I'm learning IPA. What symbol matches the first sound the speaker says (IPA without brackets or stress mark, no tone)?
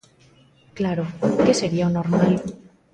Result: k